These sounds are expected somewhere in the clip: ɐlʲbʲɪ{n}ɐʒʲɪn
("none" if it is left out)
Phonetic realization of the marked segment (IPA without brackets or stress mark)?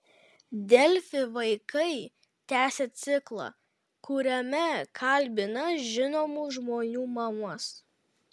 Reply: n